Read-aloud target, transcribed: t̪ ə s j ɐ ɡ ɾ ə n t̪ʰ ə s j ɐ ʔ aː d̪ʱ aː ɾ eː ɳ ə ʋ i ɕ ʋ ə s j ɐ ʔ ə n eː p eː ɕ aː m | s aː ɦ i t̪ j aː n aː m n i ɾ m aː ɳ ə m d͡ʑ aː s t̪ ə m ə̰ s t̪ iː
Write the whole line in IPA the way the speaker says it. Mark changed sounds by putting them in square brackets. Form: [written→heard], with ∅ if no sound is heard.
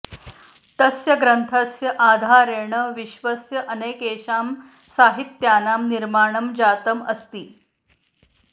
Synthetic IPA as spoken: t̪ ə s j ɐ ɡ ɾ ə n t̪ʰ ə s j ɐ ʔ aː d̪ʱ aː ɾ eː ɳ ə ʋ i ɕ ʋ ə s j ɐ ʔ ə n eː [p→k] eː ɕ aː m | s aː ɦ i t̪ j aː n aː m n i ɾ m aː ɳ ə m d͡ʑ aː [s→∅] t̪ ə m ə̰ s t̪ iː